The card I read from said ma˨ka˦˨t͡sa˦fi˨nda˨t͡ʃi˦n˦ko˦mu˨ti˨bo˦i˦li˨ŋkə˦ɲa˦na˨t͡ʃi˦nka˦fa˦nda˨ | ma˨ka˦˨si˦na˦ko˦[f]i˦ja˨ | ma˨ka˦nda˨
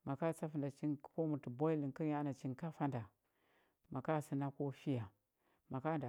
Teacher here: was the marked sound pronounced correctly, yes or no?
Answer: yes